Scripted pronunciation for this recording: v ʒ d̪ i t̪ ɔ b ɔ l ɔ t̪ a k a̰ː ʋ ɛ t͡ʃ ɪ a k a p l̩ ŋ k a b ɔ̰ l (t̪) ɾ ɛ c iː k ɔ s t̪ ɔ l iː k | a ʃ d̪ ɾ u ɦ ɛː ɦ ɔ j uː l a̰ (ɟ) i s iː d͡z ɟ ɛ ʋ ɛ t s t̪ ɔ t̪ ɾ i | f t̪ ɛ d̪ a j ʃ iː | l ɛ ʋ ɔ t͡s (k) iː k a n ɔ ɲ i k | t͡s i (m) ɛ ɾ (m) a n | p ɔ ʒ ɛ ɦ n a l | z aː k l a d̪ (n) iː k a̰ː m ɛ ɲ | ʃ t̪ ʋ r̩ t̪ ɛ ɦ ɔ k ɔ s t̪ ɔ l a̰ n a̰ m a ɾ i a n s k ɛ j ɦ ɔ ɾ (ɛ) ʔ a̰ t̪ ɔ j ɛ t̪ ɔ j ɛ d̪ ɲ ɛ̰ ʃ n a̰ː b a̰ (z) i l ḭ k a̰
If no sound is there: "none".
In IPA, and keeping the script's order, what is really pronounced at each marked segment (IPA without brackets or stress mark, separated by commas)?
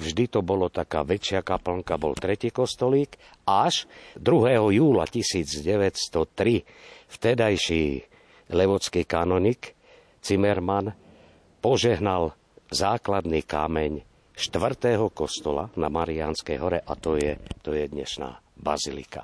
t̪, c, k, m, m, n, ɛ, z